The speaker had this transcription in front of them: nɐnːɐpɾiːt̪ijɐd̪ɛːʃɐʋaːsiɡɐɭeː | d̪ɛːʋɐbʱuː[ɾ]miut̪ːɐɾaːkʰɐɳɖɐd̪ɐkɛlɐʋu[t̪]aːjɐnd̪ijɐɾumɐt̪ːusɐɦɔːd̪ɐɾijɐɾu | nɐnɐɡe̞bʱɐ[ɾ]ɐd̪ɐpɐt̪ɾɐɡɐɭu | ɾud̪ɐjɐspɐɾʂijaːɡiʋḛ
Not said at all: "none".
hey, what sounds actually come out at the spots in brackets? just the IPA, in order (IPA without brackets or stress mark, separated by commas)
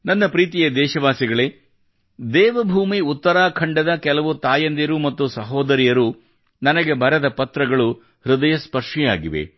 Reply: none, t̪, ɾ